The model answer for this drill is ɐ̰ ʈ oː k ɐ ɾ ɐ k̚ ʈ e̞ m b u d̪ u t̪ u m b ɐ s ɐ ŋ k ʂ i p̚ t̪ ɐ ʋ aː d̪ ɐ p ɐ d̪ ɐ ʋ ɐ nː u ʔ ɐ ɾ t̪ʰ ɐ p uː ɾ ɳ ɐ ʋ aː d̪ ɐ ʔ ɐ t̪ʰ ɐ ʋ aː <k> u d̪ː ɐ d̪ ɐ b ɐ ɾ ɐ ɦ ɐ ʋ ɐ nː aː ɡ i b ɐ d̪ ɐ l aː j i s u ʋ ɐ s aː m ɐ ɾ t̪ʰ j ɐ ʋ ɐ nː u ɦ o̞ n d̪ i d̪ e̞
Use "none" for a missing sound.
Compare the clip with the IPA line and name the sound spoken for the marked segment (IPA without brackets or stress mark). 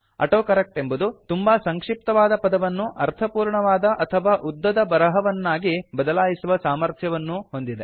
ʔ